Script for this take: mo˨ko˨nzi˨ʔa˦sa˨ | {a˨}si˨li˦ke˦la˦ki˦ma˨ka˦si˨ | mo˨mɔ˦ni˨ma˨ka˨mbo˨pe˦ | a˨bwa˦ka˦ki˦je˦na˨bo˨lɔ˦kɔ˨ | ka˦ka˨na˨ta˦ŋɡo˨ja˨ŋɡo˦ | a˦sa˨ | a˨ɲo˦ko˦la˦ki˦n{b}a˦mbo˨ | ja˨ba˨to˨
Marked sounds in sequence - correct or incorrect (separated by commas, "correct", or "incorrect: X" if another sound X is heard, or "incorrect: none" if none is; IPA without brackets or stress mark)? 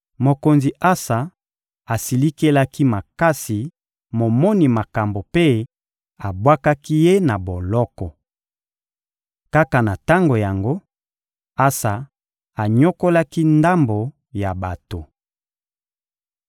correct, incorrect: d